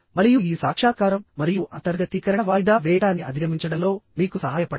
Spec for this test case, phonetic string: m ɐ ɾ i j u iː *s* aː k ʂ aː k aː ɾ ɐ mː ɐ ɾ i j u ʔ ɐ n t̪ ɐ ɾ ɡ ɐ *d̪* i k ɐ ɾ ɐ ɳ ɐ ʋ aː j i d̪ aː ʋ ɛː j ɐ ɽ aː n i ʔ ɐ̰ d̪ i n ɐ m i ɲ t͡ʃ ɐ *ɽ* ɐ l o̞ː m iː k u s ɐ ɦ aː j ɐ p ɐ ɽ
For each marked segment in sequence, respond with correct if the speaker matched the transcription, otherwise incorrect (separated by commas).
correct, incorrect, correct